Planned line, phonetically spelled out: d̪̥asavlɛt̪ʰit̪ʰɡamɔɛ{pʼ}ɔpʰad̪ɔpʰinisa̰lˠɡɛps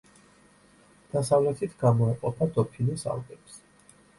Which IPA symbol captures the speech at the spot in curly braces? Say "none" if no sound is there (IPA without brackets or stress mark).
qʼ